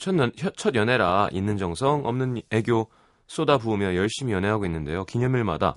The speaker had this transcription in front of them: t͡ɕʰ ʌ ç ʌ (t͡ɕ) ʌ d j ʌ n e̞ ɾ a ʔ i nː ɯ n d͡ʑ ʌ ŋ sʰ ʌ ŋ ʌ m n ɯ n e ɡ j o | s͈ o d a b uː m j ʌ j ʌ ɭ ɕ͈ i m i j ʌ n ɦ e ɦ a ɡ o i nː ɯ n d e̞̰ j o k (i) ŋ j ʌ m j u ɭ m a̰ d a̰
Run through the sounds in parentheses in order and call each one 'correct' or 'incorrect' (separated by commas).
incorrect, correct